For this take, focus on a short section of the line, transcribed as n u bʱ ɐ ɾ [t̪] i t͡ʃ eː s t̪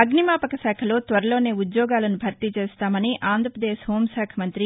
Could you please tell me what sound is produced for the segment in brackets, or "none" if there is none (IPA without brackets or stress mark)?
t̪